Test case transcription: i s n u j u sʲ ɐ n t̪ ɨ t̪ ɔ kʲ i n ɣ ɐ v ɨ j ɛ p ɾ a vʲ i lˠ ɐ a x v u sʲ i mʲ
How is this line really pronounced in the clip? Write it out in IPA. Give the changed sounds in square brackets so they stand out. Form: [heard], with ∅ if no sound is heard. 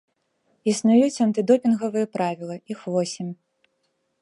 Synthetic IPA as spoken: i s n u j u [t͡sʲ] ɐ n t̪ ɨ [d̪] ɔ [pʲ] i n ɣ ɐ v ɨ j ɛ p ɾ a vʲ i lˠ ɐ [i] x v [ɔ] sʲ i mʲ